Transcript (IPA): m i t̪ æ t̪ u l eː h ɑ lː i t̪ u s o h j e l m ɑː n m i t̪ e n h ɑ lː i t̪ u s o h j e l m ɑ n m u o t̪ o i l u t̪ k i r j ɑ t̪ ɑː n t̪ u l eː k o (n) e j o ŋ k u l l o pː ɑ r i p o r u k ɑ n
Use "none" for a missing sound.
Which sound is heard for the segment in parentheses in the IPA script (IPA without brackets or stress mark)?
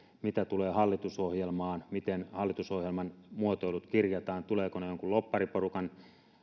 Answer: n